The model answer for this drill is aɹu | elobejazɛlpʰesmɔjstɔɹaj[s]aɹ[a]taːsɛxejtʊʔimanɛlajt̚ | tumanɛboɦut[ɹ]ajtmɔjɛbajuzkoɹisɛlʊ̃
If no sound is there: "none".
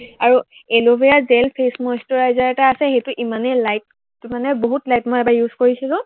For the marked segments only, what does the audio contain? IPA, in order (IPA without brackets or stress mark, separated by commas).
z, ɛ, l